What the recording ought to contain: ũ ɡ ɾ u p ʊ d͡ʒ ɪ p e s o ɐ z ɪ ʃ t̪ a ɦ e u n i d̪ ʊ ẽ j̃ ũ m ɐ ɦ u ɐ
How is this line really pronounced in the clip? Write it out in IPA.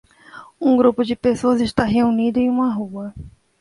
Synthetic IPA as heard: ũ ɡ ɾ u p ʊ d͡ʒ ɪ p e s o ɐ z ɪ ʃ t̪ a ɦ e u n i d̪ ʊ ẽ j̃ ũ m ɐ ɦ u ɐ